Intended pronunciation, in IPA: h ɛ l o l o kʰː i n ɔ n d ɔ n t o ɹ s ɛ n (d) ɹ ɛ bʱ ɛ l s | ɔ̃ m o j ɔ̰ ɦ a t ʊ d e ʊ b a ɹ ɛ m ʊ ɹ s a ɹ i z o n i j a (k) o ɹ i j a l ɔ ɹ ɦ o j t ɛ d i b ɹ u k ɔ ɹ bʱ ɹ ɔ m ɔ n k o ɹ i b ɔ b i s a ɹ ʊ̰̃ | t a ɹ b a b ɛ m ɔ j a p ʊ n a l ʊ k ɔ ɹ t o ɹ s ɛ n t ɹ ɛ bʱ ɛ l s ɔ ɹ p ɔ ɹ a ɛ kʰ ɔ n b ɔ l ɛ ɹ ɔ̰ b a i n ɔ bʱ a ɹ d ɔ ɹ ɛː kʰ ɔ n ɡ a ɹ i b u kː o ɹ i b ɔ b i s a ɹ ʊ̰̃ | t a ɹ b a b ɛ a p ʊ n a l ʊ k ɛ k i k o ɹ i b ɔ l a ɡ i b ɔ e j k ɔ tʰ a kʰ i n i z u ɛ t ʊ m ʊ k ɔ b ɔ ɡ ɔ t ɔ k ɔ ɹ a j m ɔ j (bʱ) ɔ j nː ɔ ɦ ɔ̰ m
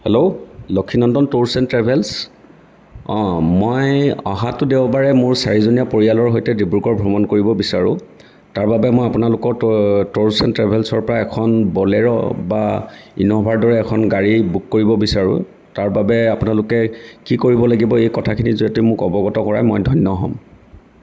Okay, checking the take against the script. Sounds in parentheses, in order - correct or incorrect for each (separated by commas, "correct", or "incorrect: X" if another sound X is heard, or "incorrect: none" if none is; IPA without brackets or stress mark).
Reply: incorrect: t, incorrect: p, incorrect: dʱ